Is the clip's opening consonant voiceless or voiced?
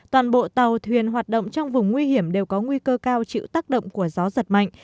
voiceless